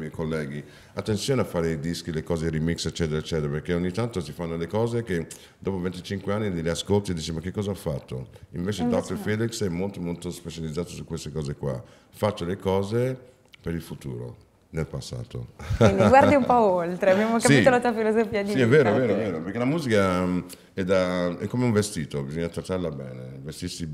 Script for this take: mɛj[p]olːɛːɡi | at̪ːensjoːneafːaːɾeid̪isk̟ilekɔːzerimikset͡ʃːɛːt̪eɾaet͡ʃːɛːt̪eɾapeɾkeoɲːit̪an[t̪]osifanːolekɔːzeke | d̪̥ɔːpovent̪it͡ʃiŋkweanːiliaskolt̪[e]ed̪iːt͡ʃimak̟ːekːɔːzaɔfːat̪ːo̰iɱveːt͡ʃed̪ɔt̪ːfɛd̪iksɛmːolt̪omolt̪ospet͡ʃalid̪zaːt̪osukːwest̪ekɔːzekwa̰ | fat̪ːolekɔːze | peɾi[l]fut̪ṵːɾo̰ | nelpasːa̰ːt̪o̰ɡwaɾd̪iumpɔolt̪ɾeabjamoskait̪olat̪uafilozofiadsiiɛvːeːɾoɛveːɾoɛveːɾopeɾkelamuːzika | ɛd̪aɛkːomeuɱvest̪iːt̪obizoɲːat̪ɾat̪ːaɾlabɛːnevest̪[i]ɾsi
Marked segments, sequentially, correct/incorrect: incorrect, correct, incorrect, correct, correct

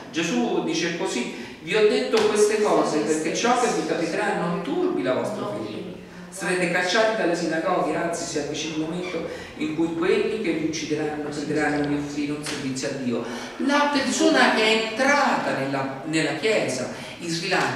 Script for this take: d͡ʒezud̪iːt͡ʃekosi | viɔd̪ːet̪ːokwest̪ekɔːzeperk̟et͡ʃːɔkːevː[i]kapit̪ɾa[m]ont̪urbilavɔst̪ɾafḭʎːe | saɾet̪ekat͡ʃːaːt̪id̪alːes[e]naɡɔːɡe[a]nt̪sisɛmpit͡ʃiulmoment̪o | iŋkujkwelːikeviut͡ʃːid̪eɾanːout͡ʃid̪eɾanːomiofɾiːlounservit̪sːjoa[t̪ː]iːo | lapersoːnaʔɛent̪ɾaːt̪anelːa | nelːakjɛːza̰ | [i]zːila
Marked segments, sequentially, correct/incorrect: correct, incorrect, incorrect, correct, incorrect, correct

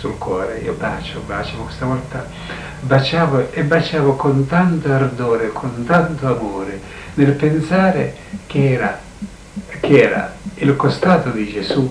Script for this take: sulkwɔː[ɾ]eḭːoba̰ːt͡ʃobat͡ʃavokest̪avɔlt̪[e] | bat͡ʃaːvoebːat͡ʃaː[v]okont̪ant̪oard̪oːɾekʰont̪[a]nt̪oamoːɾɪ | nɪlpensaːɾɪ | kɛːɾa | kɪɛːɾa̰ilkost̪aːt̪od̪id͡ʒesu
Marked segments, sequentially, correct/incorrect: correct, incorrect, correct, correct

